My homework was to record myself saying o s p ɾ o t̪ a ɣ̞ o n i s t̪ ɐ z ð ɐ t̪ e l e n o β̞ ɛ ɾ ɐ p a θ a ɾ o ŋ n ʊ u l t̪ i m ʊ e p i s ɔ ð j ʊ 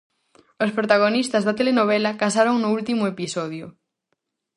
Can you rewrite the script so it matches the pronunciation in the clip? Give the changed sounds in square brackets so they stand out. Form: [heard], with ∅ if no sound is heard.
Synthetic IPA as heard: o s p ɾ o t̪ a ɣ̞ o n i s t̪ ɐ z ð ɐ t̪ e l e n o β̞ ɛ [l] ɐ [k] a [s] a ɾ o ŋ n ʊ u l t̪ i m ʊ e p i s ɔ ð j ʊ